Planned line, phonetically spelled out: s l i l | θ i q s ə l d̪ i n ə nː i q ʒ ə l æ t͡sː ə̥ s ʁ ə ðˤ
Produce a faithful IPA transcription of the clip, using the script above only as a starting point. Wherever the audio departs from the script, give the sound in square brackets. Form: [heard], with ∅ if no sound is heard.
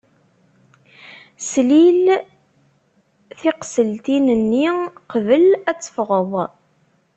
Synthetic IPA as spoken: s l i l | θ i q s ə l [t̪] i n ə nː i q [v] ə l æ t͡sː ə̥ [f] ʁ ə ðˤ

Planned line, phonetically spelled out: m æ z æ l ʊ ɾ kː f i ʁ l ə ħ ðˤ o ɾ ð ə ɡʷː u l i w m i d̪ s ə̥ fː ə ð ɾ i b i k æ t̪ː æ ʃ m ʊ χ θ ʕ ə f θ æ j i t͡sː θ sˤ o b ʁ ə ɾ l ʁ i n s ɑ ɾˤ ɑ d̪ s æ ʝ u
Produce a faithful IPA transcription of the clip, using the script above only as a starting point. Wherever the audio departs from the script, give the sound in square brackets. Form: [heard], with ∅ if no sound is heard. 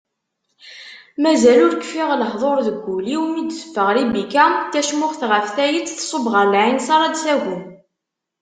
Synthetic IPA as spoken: m æ z æ l ʊ ɾ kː f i ʁ l ə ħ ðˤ o ɾ ð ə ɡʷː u l i w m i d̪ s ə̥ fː ə [ʁ] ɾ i b i k æ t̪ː æ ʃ m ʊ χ θ [ʁ] ə f θ æ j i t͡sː θ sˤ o b ʁ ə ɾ l [ʕ] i n s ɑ ɾˤ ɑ d̪ s æ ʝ u

